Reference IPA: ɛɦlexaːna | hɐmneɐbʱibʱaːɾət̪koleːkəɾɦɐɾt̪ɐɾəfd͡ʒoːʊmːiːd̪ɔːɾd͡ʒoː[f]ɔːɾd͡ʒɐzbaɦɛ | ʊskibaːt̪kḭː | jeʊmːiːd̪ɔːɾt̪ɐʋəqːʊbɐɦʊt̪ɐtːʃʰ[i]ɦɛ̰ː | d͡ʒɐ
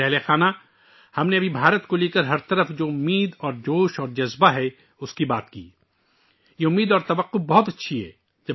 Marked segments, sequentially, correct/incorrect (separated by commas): incorrect, correct